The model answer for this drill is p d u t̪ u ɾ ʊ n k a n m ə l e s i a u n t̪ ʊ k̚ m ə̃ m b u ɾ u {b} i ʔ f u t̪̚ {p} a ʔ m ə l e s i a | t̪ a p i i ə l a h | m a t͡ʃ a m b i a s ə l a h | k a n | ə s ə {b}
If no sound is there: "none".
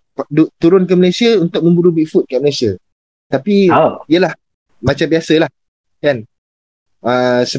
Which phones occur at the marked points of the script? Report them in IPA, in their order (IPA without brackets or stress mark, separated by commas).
b, k, none